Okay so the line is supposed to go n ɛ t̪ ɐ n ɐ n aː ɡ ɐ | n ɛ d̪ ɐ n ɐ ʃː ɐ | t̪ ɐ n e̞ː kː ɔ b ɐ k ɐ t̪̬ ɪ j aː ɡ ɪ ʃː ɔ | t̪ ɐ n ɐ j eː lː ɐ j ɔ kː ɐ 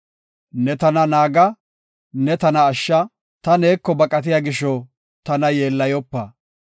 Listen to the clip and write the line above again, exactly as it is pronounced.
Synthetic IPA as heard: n ɛ t̪ ɐ n ɐ n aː ɡ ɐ | n ɛ t̪ ɐ n ɐː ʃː ɐ | t̪ ɐ n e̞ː kː ɔ b ɐ kʼ ɐ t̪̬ ɪ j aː ɡ ɪ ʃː ɔ | t̪ ɐ n ɐ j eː lː ɐ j ɔ pː ɐ